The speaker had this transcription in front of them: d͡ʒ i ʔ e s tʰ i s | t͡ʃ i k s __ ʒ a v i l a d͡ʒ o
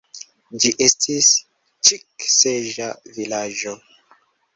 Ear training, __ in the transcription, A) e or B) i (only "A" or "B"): A